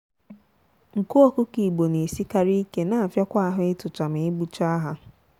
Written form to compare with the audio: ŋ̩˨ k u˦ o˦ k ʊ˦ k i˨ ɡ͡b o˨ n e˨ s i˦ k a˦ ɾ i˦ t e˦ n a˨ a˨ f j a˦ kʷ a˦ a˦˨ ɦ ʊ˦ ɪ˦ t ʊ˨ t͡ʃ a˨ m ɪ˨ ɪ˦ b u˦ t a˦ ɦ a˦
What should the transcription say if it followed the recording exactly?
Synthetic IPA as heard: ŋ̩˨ k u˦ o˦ k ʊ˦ k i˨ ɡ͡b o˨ n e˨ s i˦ k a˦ ɾ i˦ k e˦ n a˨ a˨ f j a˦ kʷ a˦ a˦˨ ɦ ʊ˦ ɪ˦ t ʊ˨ t͡ʃ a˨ m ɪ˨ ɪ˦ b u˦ t͡ʃ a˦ ɦ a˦